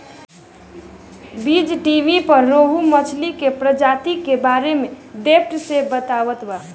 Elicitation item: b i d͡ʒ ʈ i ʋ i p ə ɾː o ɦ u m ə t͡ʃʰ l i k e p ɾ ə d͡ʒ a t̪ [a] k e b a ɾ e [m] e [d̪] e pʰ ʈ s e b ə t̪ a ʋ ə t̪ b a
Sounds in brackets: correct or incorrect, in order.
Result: incorrect, correct, correct

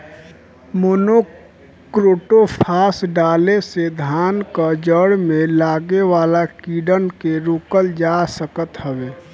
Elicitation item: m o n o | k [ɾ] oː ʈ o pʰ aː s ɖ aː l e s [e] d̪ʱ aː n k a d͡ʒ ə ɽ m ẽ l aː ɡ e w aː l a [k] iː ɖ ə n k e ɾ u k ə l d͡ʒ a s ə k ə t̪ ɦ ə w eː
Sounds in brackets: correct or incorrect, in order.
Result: correct, correct, correct

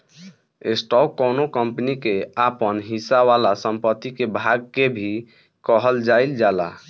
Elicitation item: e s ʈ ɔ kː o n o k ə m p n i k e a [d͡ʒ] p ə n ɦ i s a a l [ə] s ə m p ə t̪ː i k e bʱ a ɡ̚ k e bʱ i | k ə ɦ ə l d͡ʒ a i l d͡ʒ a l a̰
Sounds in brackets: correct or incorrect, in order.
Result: incorrect, incorrect

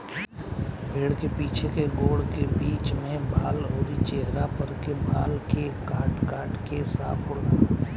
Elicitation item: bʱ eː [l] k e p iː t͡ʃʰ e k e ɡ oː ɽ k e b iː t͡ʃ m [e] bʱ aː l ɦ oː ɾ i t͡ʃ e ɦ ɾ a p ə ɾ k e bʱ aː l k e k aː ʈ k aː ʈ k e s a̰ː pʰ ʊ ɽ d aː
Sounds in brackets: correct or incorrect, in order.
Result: incorrect, incorrect

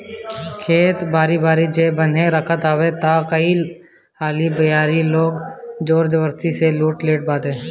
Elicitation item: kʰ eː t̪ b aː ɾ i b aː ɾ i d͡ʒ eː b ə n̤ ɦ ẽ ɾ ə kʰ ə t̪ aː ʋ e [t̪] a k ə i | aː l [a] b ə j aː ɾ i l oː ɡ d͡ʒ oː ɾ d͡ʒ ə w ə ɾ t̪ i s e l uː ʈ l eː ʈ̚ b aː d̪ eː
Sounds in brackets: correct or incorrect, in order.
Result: correct, incorrect

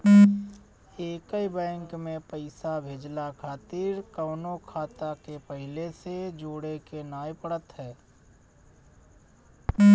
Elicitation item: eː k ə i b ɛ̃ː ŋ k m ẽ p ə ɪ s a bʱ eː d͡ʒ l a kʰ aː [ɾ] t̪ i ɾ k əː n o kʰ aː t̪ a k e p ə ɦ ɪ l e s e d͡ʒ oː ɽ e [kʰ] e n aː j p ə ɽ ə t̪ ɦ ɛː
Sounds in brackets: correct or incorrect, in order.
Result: incorrect, incorrect

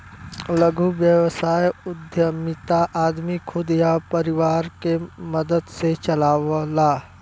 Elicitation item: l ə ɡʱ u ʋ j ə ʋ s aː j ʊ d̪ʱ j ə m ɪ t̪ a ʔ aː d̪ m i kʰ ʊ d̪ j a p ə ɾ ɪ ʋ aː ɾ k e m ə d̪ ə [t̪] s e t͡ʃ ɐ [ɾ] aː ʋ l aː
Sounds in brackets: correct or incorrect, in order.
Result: incorrect, incorrect

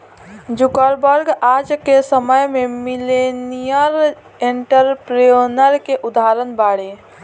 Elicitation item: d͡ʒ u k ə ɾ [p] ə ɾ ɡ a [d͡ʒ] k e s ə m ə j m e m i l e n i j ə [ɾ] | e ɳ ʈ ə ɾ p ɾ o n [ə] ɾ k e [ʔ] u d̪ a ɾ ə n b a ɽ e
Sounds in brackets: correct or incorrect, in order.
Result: incorrect, correct, correct, correct, correct

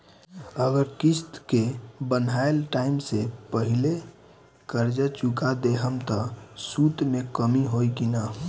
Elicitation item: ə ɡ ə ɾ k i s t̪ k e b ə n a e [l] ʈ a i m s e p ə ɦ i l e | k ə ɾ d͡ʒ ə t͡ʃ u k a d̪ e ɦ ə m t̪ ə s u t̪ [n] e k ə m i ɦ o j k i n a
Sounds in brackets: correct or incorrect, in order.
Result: correct, incorrect

